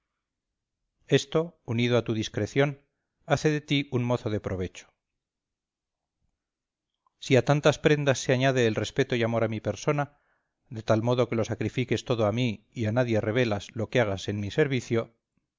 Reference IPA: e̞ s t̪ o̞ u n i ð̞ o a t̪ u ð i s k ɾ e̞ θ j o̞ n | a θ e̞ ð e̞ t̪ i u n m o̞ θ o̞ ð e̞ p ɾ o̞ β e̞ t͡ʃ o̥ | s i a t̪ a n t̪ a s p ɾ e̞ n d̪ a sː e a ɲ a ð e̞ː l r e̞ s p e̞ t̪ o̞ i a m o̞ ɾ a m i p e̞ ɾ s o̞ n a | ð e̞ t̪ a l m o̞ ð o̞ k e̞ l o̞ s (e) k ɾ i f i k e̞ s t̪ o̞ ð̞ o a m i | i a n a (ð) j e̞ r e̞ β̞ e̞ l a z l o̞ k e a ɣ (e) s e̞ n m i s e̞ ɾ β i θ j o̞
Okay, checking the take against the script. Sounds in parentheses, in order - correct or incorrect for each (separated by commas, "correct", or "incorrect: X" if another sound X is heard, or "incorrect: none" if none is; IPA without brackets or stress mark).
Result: incorrect: a, correct, incorrect: a